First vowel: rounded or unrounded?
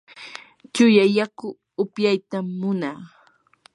rounded